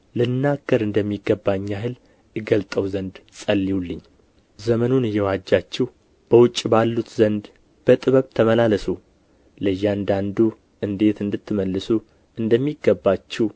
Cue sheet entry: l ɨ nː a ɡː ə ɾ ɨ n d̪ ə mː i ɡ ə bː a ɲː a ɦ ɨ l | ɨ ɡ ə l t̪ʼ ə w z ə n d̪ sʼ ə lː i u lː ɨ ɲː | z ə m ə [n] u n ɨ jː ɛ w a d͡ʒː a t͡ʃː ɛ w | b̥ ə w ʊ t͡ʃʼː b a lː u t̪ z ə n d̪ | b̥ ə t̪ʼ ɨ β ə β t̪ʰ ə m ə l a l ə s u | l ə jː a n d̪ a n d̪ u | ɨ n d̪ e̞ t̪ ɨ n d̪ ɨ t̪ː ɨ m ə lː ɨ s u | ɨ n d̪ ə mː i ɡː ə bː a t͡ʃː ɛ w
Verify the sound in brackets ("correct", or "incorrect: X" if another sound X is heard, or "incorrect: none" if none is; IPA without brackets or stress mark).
correct